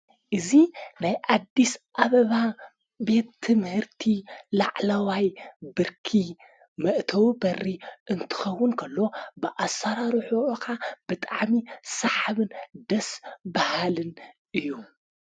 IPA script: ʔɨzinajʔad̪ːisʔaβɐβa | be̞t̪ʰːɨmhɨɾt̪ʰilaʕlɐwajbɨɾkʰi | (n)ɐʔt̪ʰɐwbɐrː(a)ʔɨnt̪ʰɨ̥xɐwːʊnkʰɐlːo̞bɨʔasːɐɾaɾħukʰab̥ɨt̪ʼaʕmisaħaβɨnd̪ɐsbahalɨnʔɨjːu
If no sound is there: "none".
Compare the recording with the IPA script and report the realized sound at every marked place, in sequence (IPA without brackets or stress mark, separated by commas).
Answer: m, i